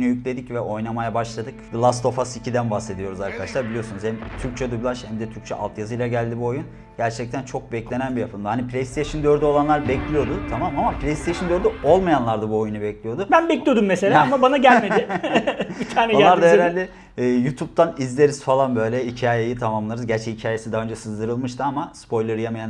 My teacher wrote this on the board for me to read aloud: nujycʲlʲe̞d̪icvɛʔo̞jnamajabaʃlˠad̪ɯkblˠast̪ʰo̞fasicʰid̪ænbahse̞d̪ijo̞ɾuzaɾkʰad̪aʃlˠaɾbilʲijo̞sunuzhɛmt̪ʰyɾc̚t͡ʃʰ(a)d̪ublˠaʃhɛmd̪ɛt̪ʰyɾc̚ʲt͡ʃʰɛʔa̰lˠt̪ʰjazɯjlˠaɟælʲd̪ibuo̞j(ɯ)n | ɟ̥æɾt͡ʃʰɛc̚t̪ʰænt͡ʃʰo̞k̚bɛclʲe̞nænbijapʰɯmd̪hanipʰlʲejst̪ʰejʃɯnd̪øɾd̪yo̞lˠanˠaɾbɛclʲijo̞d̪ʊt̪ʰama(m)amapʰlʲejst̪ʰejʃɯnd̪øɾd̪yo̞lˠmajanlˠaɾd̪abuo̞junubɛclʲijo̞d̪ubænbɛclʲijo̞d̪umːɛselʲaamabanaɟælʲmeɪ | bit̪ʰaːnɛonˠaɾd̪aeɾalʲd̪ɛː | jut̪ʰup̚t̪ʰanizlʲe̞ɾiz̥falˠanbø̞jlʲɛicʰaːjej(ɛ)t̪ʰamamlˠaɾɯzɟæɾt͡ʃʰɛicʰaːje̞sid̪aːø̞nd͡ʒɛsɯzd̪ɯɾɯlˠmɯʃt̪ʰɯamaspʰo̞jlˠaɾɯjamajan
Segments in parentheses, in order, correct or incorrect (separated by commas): incorrect, incorrect, correct, incorrect